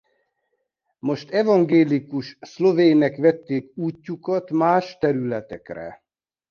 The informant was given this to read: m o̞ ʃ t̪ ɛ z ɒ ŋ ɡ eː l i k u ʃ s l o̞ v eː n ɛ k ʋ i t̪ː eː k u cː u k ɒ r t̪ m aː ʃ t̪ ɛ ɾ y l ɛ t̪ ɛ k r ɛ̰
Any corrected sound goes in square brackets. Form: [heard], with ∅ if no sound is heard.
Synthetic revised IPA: m o̞ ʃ t̪ ɛ [v] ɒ ŋ ɡ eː l i k u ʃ s l o̞ v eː n ɛ k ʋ [ɛ] t̪ː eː k [uː] cː u k ɒ [∅] t̪ m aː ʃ t̪ ɛ ɾ y l ɛ t̪ ɛ k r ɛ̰